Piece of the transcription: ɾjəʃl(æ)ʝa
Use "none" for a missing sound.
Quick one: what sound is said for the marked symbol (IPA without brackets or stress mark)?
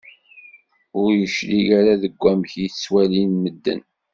i